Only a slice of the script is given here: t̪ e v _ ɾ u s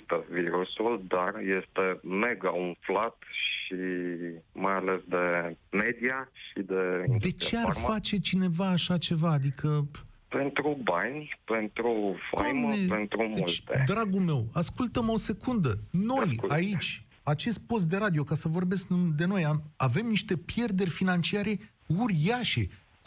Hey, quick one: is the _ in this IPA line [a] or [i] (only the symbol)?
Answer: i